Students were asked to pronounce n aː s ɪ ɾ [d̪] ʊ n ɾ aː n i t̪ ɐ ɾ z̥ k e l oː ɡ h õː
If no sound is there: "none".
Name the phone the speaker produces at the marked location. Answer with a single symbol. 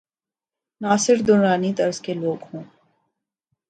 d̪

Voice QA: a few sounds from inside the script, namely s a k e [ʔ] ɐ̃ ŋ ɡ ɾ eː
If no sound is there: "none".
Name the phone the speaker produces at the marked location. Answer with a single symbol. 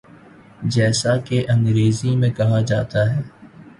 ʔ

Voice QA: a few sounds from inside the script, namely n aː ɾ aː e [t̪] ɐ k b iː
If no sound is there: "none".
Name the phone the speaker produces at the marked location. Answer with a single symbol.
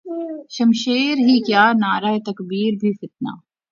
t̪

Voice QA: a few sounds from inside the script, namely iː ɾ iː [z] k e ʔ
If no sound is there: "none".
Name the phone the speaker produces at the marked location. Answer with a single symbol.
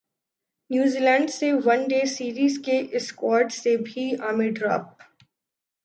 z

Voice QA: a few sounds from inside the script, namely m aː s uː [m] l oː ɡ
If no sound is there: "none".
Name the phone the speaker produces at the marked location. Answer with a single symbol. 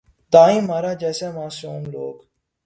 m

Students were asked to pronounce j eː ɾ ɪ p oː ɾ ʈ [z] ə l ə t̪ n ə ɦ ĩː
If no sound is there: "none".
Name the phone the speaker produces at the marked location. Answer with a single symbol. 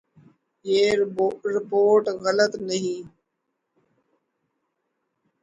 ɣ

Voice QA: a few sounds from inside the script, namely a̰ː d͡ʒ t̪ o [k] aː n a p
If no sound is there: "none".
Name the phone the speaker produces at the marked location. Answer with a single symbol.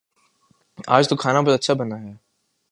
kʰ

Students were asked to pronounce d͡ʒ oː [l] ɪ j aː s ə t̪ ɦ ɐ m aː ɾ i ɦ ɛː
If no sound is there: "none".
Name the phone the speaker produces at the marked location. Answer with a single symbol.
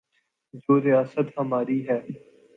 ɾ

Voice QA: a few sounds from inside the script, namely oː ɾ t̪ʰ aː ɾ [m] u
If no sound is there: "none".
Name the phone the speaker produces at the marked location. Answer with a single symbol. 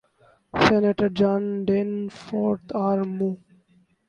m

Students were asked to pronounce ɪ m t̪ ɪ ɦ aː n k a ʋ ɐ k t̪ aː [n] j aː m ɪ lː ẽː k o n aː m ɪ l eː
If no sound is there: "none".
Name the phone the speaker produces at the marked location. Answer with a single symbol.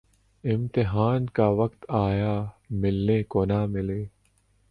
none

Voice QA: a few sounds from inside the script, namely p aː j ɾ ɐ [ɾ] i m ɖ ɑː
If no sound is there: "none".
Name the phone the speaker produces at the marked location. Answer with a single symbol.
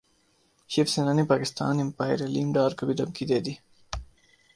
l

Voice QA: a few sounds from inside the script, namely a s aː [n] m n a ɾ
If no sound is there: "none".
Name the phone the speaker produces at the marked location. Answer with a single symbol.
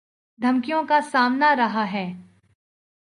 none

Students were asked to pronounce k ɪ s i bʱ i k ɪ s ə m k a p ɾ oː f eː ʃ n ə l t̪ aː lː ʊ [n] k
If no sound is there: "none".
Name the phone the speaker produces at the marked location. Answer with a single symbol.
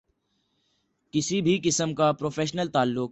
none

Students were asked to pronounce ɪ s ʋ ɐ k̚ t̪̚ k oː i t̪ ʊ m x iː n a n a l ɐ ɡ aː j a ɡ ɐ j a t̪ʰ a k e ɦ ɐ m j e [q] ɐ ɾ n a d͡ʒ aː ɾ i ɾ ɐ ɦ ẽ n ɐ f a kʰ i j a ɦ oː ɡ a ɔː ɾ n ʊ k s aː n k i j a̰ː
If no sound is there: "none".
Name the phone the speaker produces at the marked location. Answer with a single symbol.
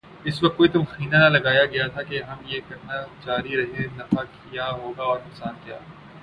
k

